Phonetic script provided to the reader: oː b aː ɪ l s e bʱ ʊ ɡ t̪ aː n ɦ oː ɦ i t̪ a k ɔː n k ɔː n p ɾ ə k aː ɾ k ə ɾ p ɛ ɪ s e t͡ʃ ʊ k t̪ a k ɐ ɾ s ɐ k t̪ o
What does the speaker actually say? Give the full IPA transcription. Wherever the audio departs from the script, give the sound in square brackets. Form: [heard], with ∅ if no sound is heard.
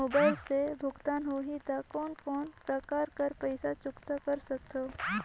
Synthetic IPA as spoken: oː b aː ɪ l s e bʱ ʊ ɡ t̪ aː n ɦ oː ɦ i t̪ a k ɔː n k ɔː n p ɾ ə k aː ɾ k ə ɾ p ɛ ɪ s [a] t͡ʃ ʊ k t̪ a k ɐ ɾ s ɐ k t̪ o